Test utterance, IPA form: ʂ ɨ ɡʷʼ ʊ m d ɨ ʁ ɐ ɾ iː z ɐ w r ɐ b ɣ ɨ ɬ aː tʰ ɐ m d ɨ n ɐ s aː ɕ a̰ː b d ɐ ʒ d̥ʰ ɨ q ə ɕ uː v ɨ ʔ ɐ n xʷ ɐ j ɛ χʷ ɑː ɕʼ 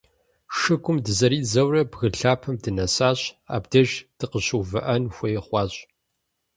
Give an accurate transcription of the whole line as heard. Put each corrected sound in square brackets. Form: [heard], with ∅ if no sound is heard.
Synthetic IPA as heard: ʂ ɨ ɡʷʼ ʊ m d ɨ [z] ɐ ɾ iː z ɐ w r ɐ b ɣ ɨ ɬ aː [pʰ] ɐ m d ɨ n ɐ s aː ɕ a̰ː b d ɐ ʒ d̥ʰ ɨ q ə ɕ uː v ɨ ʔ ɐ n xʷ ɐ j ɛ χʷ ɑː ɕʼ